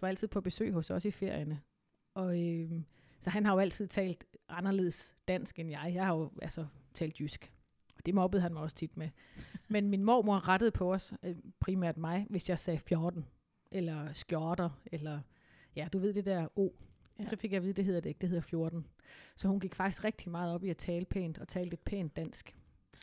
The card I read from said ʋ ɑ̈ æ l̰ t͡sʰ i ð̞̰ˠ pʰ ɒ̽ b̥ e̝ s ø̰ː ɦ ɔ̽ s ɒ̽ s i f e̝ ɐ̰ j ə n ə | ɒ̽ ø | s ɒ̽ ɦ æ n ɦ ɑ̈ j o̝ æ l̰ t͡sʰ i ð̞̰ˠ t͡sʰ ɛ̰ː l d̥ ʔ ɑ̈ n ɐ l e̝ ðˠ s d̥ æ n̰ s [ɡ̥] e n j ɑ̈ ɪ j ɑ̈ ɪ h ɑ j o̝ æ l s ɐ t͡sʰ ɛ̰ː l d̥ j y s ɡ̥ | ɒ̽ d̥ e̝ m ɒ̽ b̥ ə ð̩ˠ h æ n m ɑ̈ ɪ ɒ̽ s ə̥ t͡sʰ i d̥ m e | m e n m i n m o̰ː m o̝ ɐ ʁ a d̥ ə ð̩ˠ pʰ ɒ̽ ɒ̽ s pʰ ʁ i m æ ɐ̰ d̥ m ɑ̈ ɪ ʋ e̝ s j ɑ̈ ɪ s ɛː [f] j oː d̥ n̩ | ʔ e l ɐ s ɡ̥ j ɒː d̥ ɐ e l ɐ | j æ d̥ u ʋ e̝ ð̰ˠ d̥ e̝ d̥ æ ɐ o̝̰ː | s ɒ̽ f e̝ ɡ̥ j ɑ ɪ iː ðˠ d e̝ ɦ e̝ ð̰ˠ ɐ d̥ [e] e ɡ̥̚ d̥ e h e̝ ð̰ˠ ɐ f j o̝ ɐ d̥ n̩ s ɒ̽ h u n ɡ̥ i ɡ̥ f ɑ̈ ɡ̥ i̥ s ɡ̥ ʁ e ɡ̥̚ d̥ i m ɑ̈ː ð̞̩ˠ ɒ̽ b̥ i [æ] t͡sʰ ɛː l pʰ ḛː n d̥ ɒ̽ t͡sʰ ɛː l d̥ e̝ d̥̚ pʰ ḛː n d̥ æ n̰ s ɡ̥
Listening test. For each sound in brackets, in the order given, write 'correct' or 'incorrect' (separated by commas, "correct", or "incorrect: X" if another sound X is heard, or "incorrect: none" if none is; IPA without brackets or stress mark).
correct, correct, correct, correct